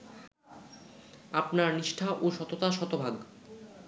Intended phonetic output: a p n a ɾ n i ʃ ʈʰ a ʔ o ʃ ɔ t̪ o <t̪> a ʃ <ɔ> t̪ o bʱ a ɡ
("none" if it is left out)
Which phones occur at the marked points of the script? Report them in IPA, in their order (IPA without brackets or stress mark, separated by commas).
t̪, ɔ